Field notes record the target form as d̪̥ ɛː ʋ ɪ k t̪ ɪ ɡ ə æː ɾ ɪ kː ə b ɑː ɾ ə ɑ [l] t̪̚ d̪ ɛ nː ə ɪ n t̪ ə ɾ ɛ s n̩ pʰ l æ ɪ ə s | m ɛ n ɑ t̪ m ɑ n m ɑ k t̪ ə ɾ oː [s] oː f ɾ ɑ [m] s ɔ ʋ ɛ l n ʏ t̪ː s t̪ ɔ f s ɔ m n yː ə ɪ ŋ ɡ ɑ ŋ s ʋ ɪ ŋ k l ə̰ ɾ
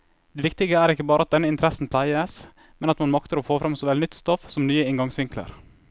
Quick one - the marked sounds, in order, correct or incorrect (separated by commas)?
incorrect, incorrect, correct